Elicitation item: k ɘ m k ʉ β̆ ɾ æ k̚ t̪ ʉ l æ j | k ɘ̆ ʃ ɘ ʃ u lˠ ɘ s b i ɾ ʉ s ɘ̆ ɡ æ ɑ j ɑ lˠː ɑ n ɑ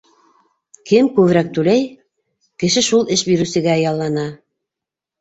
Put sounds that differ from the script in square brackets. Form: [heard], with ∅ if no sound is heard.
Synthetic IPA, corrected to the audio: k ɘ m k ʉ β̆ ɾ æ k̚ t̪ ʉ l æ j | k ɘ̆ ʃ ɘ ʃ u lˠ ɘ [ʃ] b i ɾ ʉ s ɘ̆ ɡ æ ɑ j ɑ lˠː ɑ n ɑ